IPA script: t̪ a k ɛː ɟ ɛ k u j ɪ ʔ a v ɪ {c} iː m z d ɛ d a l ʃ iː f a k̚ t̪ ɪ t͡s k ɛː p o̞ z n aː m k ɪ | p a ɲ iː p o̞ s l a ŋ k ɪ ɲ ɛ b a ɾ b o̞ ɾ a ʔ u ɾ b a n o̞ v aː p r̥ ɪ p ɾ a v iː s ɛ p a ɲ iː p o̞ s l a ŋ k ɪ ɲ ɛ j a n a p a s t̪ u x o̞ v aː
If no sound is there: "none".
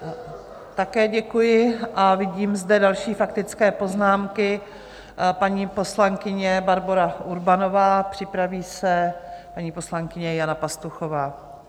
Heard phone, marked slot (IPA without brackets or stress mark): ɟ